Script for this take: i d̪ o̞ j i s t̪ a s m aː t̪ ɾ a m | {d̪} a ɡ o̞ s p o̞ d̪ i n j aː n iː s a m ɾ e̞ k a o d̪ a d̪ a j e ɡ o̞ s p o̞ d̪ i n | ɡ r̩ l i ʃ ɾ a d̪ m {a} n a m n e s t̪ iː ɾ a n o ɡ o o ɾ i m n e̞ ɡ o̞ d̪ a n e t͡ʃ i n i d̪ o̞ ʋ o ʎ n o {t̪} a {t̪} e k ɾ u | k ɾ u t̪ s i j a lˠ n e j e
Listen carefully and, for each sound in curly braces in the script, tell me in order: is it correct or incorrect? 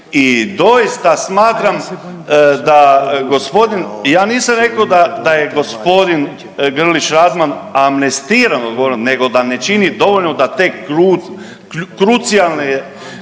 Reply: correct, correct, incorrect: d̪, correct

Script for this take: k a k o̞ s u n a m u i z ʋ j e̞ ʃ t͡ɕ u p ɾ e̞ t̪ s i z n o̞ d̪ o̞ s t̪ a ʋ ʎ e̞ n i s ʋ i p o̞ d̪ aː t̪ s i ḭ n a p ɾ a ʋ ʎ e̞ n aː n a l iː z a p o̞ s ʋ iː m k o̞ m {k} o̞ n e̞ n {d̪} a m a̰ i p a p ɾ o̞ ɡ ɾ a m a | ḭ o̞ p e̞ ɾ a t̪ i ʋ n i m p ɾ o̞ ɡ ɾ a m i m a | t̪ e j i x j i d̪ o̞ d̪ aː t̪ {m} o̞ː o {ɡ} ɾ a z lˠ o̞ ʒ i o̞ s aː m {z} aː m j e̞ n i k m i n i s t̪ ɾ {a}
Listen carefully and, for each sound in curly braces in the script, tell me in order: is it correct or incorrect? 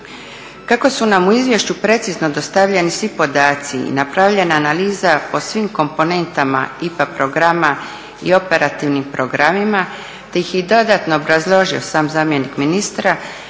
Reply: incorrect: p, incorrect: t̪, incorrect: n, incorrect: b, correct, correct

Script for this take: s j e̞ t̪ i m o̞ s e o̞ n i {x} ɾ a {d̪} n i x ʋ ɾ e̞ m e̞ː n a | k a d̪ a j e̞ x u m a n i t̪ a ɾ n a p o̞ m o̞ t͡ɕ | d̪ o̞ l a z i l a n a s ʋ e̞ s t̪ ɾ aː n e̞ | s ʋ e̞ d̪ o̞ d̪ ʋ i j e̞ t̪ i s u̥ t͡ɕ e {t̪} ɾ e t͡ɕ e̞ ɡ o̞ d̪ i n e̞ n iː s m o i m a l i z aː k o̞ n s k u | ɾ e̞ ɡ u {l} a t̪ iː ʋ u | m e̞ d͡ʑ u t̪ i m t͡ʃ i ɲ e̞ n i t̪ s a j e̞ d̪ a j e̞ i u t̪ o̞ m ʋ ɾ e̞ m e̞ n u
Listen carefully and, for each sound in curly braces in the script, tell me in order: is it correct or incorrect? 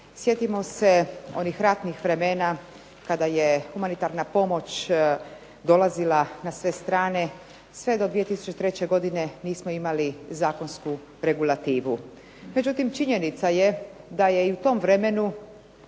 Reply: correct, incorrect: t̪, correct, correct

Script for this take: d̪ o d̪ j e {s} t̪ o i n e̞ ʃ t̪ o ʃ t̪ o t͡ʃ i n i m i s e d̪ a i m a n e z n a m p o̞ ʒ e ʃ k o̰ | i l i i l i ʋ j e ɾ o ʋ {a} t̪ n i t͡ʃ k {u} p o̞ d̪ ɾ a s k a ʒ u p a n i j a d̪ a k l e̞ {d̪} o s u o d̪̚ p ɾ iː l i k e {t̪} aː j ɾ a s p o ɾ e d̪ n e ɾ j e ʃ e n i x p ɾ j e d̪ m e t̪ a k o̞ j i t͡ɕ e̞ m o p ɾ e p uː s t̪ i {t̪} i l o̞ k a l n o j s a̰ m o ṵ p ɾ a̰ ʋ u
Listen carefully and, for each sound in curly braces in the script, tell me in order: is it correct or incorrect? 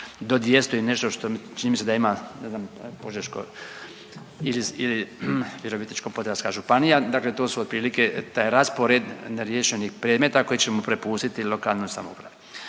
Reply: correct, incorrect: i, incorrect: o, incorrect: t̪, correct, correct

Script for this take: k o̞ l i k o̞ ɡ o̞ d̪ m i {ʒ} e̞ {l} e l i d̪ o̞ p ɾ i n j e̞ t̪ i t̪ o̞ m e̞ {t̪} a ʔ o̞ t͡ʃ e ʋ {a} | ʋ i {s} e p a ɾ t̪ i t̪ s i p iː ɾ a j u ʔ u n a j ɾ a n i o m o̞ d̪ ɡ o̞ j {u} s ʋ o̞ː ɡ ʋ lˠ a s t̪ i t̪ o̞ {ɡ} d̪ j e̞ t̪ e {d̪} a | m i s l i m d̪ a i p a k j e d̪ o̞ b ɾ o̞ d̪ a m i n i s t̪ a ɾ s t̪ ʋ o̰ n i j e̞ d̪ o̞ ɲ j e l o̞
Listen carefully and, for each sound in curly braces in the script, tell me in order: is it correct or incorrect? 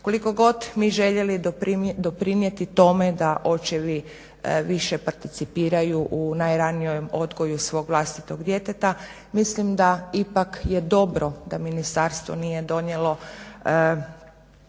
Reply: correct, incorrect: ʎ, incorrect: d̪, incorrect: i, incorrect: ʃ, correct, correct, incorrect: t̪

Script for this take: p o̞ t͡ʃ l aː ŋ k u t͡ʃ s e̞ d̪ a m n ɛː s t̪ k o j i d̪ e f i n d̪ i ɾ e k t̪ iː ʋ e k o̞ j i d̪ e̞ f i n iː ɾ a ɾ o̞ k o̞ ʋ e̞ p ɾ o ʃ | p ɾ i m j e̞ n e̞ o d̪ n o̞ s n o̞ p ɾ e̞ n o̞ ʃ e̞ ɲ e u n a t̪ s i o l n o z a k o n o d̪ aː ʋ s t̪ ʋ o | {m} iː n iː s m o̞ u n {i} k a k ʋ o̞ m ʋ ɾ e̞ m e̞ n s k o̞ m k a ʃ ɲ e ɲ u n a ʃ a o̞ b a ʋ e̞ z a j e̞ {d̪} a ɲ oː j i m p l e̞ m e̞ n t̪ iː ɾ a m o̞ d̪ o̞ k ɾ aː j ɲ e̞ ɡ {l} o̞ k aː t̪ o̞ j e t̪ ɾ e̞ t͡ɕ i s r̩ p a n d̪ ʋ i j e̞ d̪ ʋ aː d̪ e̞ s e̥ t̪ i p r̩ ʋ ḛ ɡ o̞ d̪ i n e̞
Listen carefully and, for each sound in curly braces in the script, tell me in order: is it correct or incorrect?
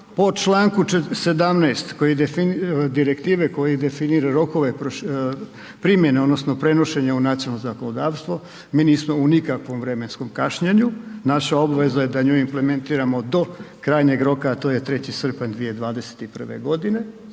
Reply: correct, correct, correct, incorrect: ɾ

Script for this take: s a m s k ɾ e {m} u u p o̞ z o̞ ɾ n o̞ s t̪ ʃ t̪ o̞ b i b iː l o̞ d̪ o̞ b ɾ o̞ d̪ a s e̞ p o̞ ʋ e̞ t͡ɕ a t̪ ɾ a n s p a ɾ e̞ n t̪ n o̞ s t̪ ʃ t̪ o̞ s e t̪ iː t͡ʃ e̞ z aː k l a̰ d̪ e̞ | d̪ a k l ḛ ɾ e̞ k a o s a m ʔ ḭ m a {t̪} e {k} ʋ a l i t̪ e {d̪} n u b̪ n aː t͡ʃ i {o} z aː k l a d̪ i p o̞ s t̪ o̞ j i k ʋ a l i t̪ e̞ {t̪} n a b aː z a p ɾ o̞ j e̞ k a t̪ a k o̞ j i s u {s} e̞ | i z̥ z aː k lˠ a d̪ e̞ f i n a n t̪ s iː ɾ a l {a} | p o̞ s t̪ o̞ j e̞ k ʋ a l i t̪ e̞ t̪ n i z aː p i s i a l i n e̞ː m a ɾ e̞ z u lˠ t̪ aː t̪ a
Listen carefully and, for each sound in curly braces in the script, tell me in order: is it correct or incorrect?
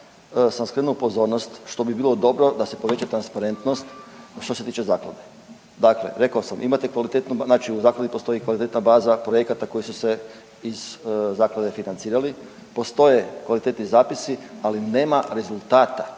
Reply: incorrect: n, correct, correct, incorrect: t̪, incorrect: u, correct, correct, incorrect: i

